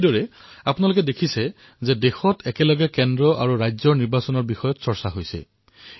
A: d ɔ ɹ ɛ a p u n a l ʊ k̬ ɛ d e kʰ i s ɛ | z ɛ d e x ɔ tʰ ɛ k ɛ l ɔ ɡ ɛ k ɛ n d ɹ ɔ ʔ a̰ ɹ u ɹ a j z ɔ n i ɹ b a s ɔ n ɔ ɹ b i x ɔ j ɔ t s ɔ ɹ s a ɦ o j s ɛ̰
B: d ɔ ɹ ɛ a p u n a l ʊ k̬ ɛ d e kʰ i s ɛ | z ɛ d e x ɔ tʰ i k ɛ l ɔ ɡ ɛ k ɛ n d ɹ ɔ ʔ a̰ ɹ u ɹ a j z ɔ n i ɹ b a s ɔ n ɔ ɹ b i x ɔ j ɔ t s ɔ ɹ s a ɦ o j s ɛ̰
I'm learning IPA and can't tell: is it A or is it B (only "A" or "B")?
A